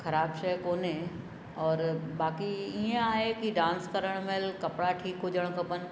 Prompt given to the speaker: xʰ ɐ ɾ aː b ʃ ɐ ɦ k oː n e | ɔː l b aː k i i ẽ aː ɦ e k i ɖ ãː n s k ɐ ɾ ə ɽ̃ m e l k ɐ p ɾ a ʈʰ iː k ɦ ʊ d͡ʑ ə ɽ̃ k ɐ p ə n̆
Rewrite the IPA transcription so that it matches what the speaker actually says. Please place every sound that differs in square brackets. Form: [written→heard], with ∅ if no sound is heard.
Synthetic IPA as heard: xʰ ɐ ɾ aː b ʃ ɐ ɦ k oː n e | ɔː [l→ɾ] b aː k i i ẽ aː ɦ e k i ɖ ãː n s k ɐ ɾ ə ɽ̃ m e l k ɐ p [ɾ→ɽ] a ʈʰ iː k ɦ ʊ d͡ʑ ə ɽ̃ k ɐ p ə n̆